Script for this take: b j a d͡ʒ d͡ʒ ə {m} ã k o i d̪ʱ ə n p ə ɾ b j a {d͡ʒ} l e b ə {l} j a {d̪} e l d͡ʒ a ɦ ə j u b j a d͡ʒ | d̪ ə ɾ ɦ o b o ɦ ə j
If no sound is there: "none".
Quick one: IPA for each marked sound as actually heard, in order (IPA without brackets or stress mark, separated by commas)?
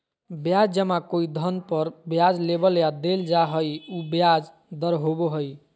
m, d͡ʒ, l, d̪